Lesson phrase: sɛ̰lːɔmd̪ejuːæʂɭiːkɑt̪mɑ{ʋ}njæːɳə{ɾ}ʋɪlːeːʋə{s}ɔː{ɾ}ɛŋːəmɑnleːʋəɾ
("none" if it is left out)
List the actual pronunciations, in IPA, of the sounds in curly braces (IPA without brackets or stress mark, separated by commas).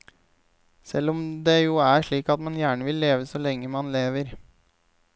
none, none, s, l